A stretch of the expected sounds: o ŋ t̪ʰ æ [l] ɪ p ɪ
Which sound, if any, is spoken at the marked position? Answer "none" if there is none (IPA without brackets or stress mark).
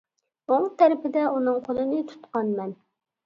ɾ